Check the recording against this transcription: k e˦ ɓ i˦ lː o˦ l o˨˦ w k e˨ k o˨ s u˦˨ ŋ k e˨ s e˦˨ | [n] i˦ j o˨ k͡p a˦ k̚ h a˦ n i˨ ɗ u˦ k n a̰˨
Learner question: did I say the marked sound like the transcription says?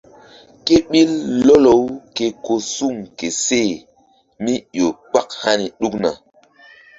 no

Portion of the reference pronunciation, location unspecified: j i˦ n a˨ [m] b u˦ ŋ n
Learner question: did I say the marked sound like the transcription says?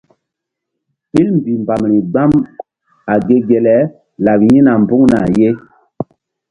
yes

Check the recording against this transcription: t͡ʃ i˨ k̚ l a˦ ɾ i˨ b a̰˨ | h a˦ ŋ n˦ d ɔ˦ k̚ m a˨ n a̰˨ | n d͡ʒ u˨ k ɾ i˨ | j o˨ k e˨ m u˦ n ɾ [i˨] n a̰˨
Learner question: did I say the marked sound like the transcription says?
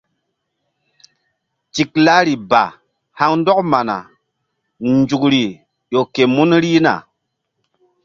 no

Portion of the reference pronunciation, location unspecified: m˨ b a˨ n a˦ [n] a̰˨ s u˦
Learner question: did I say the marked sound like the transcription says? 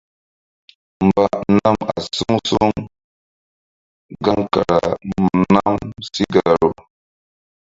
no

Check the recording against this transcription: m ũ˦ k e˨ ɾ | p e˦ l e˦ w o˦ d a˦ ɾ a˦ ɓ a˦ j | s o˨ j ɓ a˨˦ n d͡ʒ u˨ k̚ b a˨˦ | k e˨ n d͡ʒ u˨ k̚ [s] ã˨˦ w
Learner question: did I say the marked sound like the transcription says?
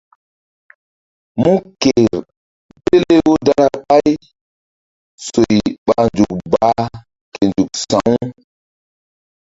yes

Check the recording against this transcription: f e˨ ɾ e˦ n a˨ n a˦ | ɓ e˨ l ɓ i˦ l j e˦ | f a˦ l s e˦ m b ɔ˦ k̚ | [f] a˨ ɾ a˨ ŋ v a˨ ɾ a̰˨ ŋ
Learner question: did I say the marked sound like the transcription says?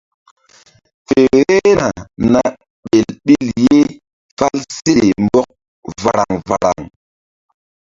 no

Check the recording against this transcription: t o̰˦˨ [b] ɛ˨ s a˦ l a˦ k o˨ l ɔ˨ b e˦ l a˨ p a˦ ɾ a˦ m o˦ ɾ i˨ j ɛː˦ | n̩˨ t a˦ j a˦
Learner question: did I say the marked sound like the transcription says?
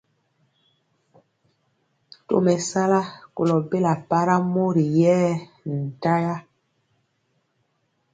no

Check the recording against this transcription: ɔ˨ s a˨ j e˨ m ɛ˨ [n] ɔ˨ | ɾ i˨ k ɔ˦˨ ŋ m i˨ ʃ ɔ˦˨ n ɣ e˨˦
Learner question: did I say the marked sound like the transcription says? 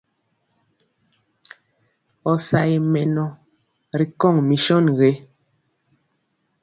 yes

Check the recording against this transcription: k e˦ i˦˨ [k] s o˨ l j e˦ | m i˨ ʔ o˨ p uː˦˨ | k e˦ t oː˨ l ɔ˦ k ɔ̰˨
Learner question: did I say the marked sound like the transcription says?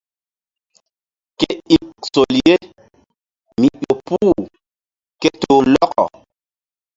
yes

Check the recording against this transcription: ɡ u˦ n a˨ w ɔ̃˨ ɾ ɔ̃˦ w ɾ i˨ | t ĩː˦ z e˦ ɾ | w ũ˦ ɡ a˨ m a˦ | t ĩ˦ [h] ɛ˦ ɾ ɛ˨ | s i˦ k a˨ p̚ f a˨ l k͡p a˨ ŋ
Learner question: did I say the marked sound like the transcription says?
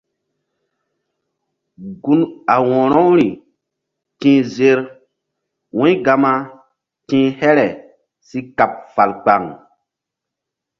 yes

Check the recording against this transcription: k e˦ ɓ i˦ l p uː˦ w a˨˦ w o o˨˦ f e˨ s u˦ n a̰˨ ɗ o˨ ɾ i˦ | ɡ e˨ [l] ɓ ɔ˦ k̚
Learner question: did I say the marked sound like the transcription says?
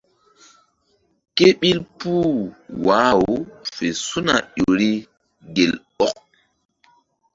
yes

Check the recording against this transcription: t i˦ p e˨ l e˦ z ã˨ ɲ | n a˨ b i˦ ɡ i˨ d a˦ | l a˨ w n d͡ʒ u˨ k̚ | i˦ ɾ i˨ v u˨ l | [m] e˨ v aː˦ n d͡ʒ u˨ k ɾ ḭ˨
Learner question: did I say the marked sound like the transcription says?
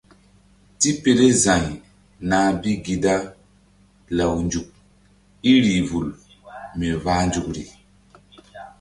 yes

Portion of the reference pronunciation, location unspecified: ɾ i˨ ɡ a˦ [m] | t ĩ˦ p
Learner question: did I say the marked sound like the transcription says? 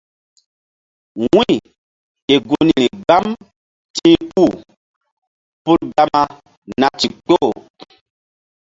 yes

